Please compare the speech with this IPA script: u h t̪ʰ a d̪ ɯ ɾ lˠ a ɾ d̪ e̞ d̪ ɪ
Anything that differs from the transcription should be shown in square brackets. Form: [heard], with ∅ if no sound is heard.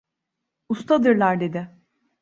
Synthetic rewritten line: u [s] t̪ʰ a d̪ ɯ ɾ lˠ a ɾ d̪ e̞ d̪ ɪ